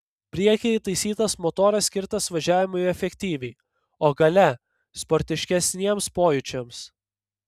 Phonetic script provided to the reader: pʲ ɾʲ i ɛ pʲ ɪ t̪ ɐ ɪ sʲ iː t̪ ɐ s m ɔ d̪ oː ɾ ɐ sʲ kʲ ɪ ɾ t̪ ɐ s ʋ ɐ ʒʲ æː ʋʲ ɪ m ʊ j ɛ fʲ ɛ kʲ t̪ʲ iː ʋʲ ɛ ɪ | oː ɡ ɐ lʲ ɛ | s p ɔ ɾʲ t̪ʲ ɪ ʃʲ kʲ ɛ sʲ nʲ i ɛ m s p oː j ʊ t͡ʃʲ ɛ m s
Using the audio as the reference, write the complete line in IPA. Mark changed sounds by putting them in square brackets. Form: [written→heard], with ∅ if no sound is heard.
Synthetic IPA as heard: pʲ ɾʲ i ɛ [pʲ→kʲ] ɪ t̪ ɐ ɪ sʲ iː t̪ ɐ s m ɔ [d̪→t̪] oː ɾ ɐ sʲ kʲ ɪ ɾ t̪ ɐ s ʋ ɐ ʒʲ æː ʋʲ ɪ m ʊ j ɛ fʲ ɛ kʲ t̪ʲ iː ʋʲ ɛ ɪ | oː ɡ ɐ lʲ ɛ | s p ɔ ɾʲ t̪ʲ ɪ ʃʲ kʲ ɛ sʲ nʲ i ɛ m s p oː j ʊ t͡ʃʲ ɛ m s